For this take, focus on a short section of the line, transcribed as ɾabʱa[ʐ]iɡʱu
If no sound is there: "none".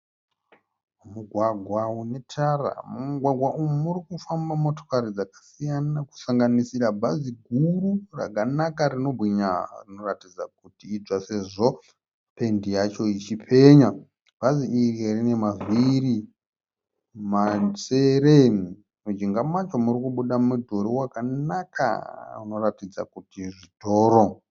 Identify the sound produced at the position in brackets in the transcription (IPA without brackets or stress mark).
z